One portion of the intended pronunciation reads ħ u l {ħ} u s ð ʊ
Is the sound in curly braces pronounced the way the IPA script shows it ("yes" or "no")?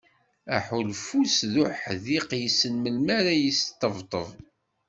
no